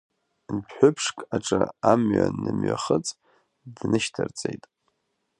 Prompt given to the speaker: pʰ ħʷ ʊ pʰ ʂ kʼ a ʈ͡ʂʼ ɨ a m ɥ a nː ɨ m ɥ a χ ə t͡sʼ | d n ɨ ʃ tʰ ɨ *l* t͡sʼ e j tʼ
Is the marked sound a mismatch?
yes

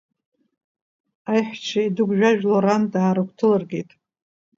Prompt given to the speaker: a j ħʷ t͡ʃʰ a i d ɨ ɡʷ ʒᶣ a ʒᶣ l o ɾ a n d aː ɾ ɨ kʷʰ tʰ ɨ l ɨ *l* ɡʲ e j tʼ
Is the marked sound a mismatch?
yes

